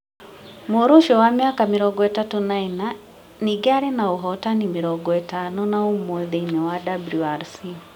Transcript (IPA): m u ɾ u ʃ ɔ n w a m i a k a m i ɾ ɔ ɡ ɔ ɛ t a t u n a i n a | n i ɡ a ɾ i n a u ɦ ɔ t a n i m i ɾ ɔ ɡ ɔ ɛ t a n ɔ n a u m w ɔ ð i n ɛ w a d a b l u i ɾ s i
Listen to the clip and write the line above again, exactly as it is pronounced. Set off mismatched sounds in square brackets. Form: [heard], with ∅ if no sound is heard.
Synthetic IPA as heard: m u ɾ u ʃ ɔ [∅] w a m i a k a m i ɾ ɔ ɡ ɔ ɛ t a t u n a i n a | n i ɡ a ɾ i n a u ɦ ɔ t a n i m i ɾ ɔ ɡ ɔ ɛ t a n ɔ n a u m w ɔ ð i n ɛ w a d a b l u [a] ɾ s i